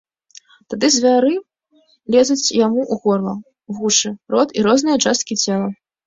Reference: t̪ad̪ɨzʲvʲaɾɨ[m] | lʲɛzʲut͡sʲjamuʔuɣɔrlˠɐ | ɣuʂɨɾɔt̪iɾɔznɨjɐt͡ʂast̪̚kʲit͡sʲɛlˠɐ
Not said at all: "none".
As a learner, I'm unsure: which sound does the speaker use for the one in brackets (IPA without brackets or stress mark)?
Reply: none